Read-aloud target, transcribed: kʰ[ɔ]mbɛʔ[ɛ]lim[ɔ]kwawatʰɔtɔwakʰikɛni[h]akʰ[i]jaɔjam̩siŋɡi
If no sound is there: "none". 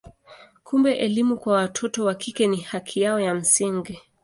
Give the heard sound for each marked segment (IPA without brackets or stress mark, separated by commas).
u, ɛ, u, h, i